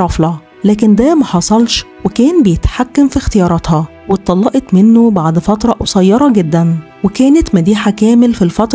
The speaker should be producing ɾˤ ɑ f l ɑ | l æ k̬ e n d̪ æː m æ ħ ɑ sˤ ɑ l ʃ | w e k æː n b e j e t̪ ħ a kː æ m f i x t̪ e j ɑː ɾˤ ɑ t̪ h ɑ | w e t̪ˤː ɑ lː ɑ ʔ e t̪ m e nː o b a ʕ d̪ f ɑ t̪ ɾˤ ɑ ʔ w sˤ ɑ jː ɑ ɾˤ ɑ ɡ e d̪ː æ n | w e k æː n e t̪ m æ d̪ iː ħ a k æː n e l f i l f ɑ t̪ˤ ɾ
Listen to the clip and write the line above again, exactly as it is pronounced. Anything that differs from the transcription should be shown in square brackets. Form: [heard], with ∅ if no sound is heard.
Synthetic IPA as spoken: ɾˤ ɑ f l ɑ | l [æː] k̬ e n d̪ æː m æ ħ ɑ sˤ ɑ l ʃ | w e k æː n b e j e t̪ ħ a kː æ m f i x t̪ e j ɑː ɾˤ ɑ t̪ h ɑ | w e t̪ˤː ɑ lː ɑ ʔ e t̪ m e nː o b a ʕ d̪ f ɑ t̪ ɾˤ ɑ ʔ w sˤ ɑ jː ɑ ɾˤ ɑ ɡ e d̪ː æ n | w e k æː n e t̪ m æ d̪ iː ħ a k æː [m] e l f i l f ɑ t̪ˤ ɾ